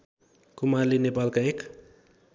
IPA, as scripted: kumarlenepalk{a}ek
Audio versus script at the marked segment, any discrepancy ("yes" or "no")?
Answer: no